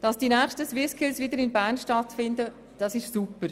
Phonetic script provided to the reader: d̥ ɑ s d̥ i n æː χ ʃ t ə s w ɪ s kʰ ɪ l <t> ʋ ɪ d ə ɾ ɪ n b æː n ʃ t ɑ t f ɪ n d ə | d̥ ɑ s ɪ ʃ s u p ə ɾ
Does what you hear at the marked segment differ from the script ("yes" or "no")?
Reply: yes